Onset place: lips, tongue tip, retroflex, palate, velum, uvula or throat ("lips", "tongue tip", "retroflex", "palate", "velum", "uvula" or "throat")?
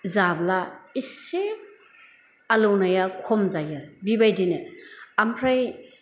tongue tip